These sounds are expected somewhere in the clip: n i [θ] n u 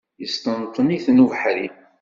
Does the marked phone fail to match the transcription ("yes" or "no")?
no